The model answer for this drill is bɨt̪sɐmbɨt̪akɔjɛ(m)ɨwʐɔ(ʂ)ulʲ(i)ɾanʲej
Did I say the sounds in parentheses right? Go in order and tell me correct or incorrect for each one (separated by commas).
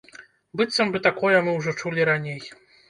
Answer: correct, incorrect, correct